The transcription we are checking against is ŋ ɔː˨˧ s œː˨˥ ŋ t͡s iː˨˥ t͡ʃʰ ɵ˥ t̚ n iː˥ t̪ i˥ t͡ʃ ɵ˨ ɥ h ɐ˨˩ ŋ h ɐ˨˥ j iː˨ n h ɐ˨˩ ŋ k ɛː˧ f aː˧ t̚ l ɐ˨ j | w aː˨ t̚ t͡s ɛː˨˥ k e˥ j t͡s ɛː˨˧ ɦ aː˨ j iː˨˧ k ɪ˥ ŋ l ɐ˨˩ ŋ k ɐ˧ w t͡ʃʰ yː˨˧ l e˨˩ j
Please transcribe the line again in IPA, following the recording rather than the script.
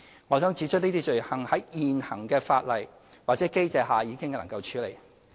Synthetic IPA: ŋ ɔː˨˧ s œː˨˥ ŋ t͡s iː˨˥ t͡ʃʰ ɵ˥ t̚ n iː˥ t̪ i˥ t͡ʃ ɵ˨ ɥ h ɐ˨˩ ŋ h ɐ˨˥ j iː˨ n h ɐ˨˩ ŋ k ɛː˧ f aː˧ t̚ l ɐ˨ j | w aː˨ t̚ t͡s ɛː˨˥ k e˥ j t͡s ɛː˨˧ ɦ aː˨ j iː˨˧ k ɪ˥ ŋ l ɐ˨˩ ŋ k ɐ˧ w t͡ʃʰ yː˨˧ l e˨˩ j